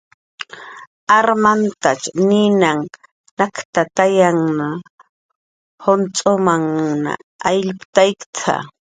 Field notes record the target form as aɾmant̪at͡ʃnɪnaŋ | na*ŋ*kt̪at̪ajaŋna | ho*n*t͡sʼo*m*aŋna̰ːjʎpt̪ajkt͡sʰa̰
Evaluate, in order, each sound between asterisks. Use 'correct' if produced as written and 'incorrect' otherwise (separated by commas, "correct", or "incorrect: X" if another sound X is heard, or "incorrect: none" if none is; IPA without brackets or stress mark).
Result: incorrect: none, correct, correct